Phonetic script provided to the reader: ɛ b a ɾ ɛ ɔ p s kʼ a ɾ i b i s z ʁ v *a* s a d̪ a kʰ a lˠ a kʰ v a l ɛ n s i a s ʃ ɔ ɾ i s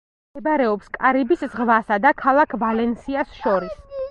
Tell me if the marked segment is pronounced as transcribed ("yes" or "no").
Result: yes